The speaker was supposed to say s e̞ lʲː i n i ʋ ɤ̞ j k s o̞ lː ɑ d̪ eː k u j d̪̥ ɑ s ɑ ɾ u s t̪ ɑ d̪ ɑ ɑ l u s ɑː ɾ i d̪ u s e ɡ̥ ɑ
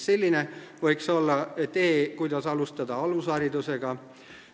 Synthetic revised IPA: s e̞ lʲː i n e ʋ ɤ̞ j k s o̞ lː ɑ t̪ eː k u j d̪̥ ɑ s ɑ l u s t̪ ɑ d̪ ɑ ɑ l u s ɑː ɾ i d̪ u s e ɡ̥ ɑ